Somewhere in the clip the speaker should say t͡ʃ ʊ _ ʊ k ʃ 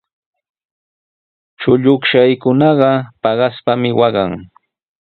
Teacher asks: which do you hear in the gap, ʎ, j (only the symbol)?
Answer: ʎ